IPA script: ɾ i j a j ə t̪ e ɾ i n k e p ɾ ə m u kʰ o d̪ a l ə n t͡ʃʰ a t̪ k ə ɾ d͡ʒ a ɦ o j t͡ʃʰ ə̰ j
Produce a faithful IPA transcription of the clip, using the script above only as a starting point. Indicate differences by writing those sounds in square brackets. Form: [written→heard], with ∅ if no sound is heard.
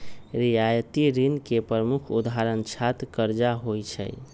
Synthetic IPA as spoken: ɾ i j a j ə t̪ [e→i] ɾ i n k e p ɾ ə m u kʰ [o→u] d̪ a [l→ɾ] ə n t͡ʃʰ a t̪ k ə ɾ d͡ʒ a ɦ o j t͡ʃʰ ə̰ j